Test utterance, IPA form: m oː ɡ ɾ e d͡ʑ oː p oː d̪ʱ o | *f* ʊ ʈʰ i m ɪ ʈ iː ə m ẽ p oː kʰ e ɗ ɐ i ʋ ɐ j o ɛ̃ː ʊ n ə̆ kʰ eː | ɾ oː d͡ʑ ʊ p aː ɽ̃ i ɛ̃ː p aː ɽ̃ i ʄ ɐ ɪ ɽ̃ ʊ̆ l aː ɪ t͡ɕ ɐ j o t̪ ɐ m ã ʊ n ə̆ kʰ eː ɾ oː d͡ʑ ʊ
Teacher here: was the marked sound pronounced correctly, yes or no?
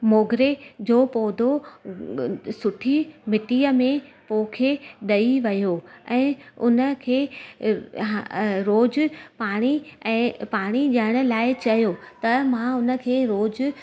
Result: no